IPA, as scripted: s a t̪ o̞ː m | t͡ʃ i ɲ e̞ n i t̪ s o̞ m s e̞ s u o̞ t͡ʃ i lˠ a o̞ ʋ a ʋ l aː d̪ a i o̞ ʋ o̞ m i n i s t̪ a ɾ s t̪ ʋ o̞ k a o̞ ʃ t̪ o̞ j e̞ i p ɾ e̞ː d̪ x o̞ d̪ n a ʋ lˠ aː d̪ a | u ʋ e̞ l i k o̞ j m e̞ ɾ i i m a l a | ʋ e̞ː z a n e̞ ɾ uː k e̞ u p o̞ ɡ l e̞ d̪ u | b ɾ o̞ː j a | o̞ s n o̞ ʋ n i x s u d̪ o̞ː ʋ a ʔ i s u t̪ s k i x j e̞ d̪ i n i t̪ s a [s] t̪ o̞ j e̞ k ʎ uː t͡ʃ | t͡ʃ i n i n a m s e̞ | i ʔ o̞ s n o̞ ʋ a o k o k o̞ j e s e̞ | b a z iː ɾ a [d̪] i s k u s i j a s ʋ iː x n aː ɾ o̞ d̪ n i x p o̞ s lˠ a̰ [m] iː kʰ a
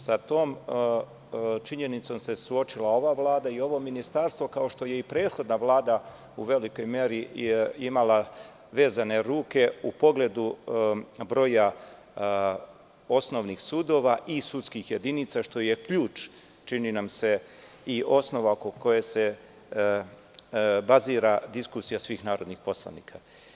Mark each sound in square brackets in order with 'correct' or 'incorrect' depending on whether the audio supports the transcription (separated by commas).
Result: incorrect, correct, incorrect